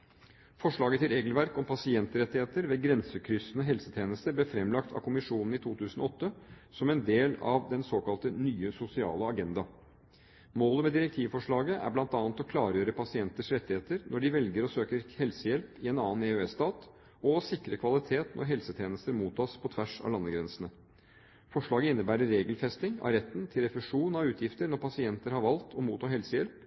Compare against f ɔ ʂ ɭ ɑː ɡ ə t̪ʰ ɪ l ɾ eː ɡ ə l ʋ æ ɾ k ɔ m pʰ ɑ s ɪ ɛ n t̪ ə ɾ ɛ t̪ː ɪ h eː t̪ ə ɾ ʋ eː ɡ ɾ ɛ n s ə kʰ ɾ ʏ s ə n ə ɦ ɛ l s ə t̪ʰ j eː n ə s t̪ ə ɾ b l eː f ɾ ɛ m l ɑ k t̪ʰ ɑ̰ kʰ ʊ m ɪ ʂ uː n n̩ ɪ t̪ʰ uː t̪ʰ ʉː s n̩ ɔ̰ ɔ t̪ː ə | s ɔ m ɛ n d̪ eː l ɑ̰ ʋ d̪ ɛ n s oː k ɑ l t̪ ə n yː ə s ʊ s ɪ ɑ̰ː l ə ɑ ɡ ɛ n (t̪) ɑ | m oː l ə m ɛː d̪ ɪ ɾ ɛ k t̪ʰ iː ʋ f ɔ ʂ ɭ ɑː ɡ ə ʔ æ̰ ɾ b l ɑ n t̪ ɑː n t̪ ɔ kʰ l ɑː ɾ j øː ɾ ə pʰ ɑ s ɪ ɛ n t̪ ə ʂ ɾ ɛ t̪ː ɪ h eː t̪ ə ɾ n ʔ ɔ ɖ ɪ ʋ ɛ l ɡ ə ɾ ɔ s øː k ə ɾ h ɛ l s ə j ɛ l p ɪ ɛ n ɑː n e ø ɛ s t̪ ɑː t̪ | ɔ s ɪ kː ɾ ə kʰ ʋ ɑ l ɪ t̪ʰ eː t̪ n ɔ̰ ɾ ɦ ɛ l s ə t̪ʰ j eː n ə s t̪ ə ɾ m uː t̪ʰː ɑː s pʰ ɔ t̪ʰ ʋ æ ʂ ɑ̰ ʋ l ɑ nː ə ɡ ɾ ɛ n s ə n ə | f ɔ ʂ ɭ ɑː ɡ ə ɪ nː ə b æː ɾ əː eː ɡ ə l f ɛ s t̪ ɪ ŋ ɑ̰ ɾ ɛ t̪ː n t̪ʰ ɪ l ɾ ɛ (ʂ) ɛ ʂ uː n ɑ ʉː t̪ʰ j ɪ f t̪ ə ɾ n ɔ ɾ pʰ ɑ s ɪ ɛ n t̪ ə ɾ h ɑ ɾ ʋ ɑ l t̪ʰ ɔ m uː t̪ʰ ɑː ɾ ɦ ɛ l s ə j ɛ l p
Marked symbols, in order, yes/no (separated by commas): no, no